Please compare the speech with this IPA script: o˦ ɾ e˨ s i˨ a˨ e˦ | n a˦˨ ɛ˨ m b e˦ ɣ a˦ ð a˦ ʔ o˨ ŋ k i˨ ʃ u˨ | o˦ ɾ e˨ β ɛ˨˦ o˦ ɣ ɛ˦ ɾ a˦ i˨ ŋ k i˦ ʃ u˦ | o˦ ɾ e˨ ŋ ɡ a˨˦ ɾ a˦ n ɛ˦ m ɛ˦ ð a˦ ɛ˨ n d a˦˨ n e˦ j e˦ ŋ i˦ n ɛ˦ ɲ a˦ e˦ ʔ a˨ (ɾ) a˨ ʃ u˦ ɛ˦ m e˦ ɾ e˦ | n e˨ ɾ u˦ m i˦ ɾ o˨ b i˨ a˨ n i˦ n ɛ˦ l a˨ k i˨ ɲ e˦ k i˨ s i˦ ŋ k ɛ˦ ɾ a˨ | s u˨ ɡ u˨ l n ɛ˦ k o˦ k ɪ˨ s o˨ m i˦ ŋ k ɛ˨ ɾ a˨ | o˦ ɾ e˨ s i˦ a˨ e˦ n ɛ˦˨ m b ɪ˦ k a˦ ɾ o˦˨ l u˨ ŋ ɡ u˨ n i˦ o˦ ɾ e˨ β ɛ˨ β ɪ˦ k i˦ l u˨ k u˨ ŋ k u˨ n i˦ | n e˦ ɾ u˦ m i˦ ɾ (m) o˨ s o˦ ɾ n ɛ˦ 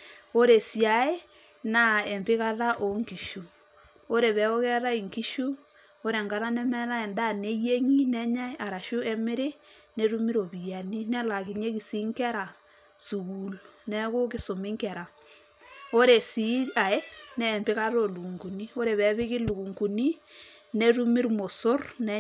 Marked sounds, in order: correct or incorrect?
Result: correct, correct

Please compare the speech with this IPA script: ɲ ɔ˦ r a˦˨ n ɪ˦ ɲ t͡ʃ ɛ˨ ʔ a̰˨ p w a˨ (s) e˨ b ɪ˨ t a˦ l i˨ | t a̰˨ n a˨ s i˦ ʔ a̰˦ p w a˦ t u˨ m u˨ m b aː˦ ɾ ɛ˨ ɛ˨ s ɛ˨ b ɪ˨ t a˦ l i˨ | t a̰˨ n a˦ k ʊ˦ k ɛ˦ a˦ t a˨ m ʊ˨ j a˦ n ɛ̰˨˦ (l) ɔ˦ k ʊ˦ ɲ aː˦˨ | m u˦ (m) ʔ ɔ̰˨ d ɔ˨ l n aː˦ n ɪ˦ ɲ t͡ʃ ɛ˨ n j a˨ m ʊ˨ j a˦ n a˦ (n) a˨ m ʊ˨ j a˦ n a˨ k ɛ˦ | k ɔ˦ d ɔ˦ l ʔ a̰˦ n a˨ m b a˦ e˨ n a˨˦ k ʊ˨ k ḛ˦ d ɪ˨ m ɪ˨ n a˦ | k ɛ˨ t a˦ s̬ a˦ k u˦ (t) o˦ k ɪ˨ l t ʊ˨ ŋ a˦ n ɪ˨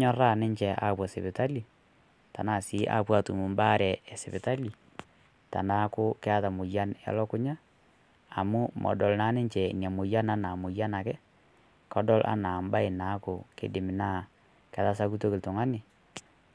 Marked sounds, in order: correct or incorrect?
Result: correct, correct, correct, correct, correct

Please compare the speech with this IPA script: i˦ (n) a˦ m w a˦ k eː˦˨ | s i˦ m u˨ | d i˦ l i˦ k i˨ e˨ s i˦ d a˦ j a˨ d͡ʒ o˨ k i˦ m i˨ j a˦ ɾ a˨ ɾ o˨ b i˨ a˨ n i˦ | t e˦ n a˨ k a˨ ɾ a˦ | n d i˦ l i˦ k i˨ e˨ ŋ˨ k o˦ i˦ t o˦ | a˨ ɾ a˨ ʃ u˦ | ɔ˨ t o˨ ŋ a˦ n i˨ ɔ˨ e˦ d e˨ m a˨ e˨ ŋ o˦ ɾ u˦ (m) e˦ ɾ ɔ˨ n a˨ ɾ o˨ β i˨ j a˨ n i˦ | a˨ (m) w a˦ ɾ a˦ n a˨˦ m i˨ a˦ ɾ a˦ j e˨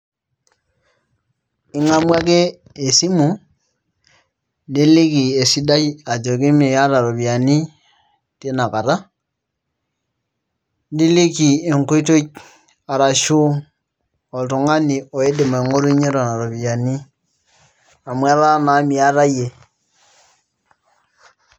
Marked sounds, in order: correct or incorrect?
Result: incorrect: ŋ, incorrect: ɲ, correct

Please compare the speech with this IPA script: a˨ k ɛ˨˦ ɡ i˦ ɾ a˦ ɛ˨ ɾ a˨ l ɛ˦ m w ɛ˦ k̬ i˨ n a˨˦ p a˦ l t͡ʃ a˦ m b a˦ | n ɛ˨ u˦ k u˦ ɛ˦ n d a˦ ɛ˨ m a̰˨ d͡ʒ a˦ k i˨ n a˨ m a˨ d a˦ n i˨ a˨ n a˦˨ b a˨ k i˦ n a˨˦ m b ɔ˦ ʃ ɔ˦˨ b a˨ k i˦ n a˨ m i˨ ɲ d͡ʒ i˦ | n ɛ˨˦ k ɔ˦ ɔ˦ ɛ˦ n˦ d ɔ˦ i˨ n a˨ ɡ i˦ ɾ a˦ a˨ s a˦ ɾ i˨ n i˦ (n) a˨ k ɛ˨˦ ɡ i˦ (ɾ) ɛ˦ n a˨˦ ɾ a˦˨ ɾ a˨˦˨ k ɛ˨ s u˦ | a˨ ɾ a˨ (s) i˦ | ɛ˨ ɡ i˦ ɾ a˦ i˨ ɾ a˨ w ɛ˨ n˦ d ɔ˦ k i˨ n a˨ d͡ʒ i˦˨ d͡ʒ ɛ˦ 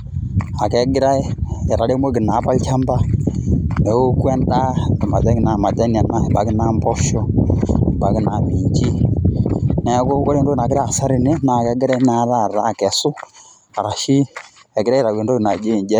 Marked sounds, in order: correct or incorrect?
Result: correct, correct, incorrect: ʃ

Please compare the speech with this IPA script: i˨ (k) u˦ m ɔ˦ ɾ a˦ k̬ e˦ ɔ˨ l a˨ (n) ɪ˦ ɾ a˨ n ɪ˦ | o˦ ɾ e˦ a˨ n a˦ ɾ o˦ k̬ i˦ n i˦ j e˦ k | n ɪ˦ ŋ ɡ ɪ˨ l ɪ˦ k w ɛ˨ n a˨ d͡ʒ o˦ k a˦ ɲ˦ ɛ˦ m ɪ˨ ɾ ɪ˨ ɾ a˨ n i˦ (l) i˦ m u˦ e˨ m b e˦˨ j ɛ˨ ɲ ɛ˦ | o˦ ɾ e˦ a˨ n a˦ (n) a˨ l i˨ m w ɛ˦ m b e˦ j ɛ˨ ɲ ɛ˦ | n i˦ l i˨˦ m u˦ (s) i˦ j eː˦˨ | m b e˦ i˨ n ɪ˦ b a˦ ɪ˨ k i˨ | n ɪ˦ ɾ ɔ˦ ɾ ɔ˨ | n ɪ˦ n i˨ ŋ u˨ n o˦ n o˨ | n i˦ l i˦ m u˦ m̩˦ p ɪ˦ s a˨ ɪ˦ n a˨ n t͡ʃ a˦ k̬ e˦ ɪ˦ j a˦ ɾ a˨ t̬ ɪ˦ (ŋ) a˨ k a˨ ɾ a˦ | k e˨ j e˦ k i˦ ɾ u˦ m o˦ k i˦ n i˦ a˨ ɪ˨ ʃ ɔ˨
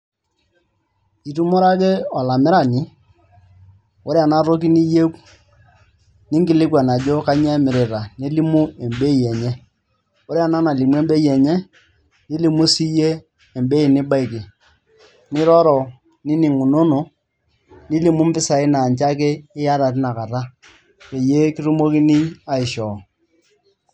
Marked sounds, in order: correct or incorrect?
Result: incorrect: t, incorrect: m, correct, correct, correct, incorrect: n

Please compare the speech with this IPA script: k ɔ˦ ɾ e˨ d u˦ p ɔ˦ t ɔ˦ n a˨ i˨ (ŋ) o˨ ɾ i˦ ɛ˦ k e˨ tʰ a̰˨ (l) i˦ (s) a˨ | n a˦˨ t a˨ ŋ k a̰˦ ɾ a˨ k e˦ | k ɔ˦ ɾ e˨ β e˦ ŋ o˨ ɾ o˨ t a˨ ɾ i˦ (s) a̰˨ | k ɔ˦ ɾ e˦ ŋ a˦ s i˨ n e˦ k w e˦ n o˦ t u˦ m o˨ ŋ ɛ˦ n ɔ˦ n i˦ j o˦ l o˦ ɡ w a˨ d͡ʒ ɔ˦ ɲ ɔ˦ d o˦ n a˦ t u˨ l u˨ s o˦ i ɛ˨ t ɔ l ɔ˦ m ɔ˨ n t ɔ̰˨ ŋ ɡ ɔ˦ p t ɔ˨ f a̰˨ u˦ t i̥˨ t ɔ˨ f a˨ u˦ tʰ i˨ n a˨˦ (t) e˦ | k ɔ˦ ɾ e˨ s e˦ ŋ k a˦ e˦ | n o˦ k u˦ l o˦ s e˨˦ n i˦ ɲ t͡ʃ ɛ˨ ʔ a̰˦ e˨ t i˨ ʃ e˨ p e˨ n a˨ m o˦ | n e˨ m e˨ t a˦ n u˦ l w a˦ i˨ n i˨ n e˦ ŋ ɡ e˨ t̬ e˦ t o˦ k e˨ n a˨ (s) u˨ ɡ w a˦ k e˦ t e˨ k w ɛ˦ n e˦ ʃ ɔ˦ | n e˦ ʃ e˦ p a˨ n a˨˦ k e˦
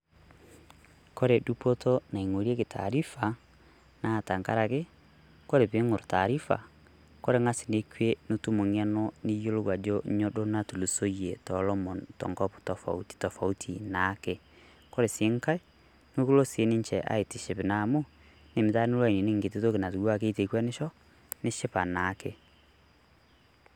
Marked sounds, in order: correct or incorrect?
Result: correct, incorrect: ɾ, incorrect: f, incorrect: f, incorrect: k, incorrect: t

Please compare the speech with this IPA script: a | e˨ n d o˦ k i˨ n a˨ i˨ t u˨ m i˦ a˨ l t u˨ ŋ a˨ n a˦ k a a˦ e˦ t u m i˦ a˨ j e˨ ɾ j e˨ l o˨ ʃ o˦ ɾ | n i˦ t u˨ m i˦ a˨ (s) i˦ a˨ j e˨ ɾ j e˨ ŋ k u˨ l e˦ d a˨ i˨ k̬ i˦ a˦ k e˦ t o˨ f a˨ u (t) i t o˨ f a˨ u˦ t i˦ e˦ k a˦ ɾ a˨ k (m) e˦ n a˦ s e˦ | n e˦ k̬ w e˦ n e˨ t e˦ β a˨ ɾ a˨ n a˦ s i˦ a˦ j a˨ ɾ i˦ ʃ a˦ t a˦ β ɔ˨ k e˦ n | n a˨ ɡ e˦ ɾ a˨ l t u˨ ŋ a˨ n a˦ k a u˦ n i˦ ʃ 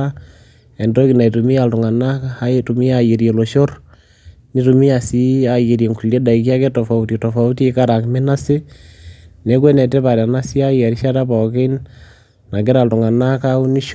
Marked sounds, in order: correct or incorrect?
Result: correct, correct, correct

